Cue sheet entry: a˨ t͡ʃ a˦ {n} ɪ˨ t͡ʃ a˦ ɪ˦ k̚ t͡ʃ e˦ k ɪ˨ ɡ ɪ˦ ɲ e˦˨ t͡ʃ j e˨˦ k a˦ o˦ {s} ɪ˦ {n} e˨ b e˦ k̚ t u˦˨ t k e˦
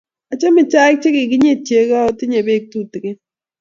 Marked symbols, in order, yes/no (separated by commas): no, no, no